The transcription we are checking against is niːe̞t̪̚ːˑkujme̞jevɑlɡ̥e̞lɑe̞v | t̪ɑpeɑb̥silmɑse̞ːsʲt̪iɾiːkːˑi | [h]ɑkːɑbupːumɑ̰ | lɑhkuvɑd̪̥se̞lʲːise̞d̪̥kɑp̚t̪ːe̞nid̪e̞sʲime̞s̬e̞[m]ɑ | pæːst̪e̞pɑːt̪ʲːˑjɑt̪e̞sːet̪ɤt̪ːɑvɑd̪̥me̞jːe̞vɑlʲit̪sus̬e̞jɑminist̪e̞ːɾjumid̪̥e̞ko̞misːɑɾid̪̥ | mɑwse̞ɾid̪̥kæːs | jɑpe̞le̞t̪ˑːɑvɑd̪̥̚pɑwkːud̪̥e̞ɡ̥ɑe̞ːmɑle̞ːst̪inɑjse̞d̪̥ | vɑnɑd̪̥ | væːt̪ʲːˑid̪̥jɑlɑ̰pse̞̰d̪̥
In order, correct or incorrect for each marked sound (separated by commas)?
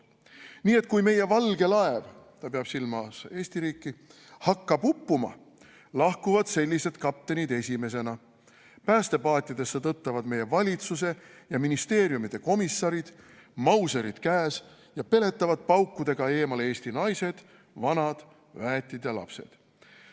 correct, incorrect